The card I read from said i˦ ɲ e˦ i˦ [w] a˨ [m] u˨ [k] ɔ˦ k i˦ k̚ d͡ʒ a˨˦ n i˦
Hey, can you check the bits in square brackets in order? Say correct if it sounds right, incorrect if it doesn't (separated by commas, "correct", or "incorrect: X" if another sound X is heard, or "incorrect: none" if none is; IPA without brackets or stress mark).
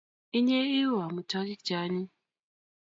correct, correct, incorrect: t